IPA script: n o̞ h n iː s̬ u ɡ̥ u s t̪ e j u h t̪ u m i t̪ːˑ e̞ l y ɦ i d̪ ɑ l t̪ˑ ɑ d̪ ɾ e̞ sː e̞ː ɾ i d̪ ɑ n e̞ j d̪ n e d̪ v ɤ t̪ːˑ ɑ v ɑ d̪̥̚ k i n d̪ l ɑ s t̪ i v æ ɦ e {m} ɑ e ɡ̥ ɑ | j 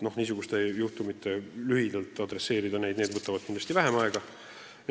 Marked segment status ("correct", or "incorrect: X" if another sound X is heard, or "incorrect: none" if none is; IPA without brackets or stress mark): correct